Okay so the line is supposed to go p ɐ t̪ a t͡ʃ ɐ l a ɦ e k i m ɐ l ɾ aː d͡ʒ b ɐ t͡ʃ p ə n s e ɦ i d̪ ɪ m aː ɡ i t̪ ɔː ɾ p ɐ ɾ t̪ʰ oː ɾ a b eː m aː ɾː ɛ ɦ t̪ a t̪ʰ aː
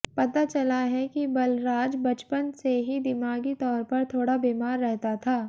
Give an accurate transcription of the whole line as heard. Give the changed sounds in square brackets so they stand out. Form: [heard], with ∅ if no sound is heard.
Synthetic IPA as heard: p ɐ t̪ a t͡ʃ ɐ l a ɦ [ɛ] k i [b] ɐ l ɾ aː d͡ʒ b ɐ t͡ʃ p ə n s e ɦ i d̪ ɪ m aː ɡ i t̪ ɔː ɾ p ɐ ɾ t̪ʰ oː [ɽ] a b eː m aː ɾː ɛ ɦ t̪ a t̪ʰ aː